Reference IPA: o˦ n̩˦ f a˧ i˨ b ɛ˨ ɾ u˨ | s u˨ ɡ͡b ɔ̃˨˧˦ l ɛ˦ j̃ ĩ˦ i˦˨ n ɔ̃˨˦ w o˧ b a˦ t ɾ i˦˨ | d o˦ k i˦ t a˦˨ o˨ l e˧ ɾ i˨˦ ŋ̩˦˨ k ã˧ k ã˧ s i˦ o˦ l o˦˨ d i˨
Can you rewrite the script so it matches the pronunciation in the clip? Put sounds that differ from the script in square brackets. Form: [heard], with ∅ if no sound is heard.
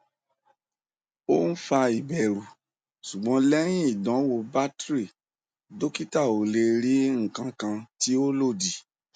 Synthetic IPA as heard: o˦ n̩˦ f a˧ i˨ b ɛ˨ ɾ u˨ | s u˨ ɡ͡b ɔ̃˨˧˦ l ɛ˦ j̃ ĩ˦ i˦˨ [d] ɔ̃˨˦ w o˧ b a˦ t ɾ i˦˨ | d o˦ k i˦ t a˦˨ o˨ l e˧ ɾ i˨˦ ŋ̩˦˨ k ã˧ k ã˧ [t] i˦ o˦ l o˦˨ d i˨